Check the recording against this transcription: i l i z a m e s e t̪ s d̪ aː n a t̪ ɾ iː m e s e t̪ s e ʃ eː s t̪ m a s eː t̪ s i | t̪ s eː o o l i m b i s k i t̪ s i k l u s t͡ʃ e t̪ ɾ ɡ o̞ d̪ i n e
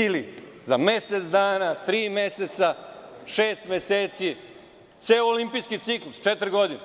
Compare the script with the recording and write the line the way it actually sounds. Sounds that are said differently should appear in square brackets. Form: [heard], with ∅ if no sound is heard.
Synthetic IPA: i l i z a m e s e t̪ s d̪ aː n a t̪ ɾ iː m e s e t̪ s [a] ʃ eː s t̪ m [e] s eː t̪ s i | t̪ s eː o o l i m [p] i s k i t̪ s i k l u s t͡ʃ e t̪ ɾ ɡ o̞ d̪ i n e